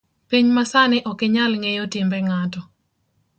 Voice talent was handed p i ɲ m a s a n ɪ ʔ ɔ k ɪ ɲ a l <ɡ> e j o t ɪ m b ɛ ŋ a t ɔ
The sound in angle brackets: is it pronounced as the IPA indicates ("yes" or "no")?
no